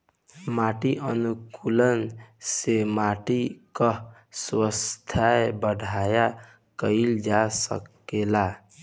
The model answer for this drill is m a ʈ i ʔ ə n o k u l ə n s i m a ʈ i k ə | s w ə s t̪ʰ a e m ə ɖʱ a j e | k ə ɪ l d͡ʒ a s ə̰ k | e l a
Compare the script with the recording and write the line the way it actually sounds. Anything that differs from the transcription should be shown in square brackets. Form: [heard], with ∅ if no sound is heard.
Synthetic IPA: m a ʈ i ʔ ə n [u] k u l ə n s [e] m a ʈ i k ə | s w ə s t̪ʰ a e [b] ə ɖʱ a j [a] | k ə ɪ l d͡ʒ a s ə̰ k | e l a

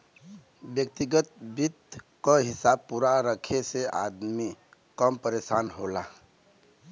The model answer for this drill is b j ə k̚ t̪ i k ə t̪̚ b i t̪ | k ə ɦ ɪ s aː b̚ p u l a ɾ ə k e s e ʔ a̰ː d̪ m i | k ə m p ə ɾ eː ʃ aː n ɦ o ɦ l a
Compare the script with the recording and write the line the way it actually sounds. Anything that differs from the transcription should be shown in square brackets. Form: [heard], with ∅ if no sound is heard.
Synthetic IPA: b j ə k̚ t̪ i [ɡ] ə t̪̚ b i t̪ | k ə ɦ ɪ s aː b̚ p u [ɾ] a ɾ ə [kʰ] e s e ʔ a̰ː d̪ m i | k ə m p ə ɾ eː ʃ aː n ɦ o [∅] l a

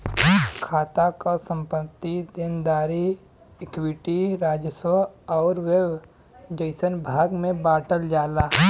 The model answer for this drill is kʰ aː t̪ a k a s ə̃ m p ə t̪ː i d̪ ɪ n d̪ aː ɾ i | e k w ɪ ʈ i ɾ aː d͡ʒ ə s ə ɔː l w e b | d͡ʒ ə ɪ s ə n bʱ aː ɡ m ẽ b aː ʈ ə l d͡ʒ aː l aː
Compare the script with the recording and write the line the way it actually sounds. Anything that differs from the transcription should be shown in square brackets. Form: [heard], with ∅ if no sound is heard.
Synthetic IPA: kʰ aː t̪ a k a s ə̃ m p ə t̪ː i d̪ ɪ n d̪ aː ɾ i | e k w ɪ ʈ i ɾ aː d͡ʒ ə s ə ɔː [ɾ] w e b | d͡ʒ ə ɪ s ə n bʱ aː ɡ m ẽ b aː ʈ ə l d͡ʒ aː l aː

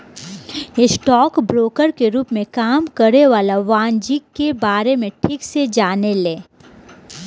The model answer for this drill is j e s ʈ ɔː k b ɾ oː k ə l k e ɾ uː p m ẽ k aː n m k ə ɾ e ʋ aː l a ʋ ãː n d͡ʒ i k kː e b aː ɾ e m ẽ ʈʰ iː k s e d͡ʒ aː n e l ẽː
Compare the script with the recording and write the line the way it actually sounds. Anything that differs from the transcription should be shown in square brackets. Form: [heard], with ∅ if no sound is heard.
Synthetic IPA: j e s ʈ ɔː k b ɾ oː k ə [ɾ] k e ɾ uː p m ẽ k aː [∅] m k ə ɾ e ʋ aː l a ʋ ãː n d͡ʒ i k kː e b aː ɾ e m ẽ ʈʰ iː k s e d͡ʒ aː n e l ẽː

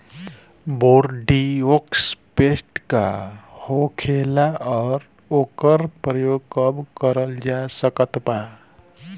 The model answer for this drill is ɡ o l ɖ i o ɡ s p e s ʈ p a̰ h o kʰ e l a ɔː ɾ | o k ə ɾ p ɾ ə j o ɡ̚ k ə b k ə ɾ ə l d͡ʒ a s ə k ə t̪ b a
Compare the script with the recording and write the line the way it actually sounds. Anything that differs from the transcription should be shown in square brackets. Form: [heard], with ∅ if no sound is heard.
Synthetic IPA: [b] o [ɾ] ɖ i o [k] s p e s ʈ [k] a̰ h o kʰ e l a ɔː ɾ | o k ə ɾ p ɾ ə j o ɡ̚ k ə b k ə ɾ ə l d͡ʒ a s ə k ə t̪ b a

